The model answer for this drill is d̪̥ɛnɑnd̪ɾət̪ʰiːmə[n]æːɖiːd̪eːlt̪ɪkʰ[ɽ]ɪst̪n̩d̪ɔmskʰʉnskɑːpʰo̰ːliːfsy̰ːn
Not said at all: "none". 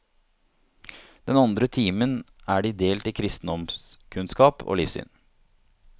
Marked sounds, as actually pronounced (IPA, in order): n, ɾ

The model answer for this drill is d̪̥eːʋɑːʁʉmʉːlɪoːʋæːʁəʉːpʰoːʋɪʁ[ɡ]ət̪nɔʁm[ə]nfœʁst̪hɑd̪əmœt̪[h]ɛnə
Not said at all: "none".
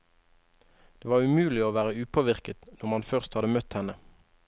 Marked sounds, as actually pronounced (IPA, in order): k, ɑ, h

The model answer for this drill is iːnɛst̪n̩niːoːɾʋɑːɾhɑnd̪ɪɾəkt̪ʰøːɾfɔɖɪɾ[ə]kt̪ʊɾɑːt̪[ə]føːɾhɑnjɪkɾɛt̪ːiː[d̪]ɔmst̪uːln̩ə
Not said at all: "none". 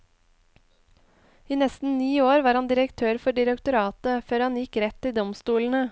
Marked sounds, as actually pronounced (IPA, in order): ə, ə, d̪

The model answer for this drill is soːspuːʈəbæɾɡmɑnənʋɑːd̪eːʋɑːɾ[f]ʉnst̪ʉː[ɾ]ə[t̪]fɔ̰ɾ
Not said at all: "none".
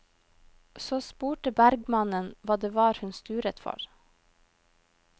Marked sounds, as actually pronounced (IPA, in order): h, ɾ, t̪

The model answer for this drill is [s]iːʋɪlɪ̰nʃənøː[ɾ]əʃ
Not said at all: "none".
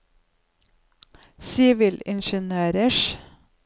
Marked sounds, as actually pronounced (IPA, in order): s, ɾ

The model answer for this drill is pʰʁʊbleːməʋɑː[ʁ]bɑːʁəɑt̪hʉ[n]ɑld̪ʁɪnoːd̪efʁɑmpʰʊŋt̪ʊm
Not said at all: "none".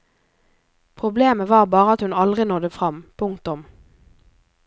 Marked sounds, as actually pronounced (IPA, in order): ʁ, n

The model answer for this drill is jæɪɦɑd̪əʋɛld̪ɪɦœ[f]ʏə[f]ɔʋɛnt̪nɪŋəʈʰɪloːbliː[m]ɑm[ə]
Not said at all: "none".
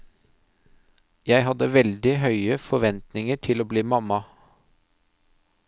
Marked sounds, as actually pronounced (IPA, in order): none, f, m, ɑ

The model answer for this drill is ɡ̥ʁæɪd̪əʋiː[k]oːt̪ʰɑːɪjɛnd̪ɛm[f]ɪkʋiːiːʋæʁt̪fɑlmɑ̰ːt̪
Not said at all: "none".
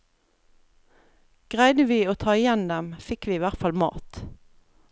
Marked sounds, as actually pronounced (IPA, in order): none, f

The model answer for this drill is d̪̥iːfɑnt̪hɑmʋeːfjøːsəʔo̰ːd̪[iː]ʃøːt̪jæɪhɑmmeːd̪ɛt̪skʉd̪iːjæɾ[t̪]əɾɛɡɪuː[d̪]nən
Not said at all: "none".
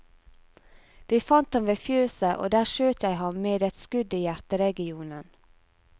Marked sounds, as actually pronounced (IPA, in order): æː, t̪, none

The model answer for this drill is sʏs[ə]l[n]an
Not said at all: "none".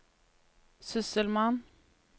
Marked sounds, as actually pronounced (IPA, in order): ə, m

